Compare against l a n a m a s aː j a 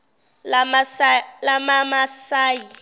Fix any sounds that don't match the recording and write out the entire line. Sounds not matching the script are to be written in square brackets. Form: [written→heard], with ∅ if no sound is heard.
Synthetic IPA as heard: l a [n→m] a m a s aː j [a→i]